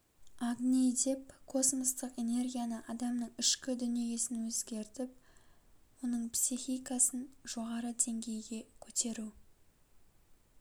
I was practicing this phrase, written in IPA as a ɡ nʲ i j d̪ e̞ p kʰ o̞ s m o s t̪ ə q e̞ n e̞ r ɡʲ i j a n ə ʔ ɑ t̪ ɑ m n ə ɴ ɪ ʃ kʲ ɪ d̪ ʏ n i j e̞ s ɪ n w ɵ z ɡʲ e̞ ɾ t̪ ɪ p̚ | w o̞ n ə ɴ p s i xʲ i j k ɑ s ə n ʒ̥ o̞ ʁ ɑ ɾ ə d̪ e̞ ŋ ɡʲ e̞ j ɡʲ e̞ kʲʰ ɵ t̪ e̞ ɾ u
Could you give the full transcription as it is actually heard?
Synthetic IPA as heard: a ɡ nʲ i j d̪ e̞ p kʰ o̞ s m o s t̪ ə q e̞ n e̞ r ɡʲ i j a n ə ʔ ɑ d̪ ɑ m n ə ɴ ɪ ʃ kʲ ɪ d̪ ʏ n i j e̞ s ɪ n w ɵ z ɡʲ e̞ ɾ t̪ ɪ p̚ | w o̞ n ə ɴ p s i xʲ i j k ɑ s ə n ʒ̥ o̞ ʁ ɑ ɾ ə d̪ e̞ ŋ ɡʲ e̞ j ɡʲ e̞ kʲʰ ɵ t̪ e̞ ɾ u